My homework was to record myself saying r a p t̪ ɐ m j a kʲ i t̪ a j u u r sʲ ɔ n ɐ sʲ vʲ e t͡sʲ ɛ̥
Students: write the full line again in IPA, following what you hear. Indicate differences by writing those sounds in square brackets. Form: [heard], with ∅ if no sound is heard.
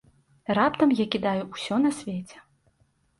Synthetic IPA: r a p t̪ ɐ m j a kʲ i [d̪] a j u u [∅] sʲ ɔ n ɐ sʲ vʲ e t͡sʲ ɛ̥